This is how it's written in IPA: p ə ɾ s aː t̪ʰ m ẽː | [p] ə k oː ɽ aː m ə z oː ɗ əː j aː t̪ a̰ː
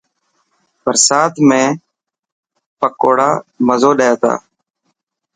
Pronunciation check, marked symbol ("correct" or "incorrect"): correct